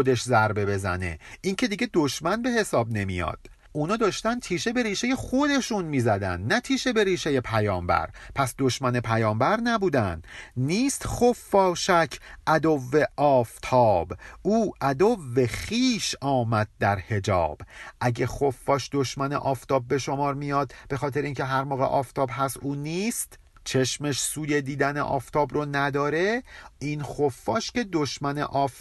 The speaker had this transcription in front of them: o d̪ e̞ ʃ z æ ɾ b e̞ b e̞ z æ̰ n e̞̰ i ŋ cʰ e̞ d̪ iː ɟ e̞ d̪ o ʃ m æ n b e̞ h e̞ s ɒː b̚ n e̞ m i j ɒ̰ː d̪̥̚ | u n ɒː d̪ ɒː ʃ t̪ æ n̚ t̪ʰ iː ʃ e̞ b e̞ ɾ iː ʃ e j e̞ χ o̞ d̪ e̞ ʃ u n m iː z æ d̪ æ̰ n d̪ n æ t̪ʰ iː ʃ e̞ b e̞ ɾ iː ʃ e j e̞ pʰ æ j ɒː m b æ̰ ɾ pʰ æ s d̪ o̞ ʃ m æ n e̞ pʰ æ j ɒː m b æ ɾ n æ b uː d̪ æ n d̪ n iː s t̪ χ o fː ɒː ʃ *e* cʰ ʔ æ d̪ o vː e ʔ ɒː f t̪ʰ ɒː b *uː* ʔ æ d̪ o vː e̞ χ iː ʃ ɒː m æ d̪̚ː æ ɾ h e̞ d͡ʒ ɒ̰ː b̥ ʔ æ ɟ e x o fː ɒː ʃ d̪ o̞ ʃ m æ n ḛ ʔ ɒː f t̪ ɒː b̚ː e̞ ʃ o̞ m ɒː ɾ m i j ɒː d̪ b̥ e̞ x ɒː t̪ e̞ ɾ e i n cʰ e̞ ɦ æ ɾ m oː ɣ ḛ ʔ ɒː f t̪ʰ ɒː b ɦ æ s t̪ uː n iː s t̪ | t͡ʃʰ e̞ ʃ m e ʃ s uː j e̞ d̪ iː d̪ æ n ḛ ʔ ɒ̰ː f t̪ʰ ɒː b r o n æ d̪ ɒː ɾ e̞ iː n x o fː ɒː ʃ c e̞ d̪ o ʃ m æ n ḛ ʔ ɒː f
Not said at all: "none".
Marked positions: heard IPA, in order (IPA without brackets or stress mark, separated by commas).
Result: æ, uː